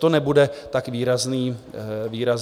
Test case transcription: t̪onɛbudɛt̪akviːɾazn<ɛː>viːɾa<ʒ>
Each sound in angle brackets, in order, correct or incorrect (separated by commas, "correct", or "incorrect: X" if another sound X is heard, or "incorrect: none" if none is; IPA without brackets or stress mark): incorrect: iː, incorrect: z